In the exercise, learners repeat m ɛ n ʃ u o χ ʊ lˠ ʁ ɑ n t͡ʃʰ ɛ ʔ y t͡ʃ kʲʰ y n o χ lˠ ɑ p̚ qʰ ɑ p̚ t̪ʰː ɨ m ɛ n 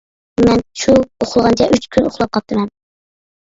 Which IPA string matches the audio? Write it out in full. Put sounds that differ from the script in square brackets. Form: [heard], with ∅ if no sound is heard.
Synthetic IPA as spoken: m ɛ n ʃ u o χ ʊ lˠ ʁ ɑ n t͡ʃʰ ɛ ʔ y t͡ʃ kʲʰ y n o χ lˠ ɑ p̚ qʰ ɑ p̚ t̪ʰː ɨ m ɛ n